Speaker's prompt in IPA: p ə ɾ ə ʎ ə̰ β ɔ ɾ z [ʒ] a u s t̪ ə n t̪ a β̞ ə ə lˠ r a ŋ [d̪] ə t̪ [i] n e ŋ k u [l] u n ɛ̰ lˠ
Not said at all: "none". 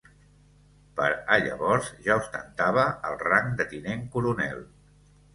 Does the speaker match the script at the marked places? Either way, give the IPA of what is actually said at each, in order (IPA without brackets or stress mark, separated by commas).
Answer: ʒ, d̪, i, ɾ